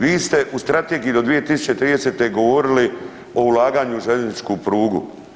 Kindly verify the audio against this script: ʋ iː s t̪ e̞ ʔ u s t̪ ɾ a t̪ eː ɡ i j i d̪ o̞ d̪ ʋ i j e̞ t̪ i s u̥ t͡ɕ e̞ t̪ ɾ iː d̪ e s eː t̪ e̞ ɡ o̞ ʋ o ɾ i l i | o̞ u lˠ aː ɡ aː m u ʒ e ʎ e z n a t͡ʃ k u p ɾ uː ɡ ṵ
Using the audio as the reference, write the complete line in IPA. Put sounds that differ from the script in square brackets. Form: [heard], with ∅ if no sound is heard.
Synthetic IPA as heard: ʋ iː s t̪ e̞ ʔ u s t̪ ɾ a t̪ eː ɡ i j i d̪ o̞ d̪ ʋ i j e̞ t̪ i s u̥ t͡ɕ e̞ t̪ ɾ iː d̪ e s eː t̪ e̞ ɡ o̞ ʋ o ɾ i l i | o̞ u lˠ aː ɡ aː [ɲ] u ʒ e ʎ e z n [i] t͡ʃ k u p ɾ uː ɡ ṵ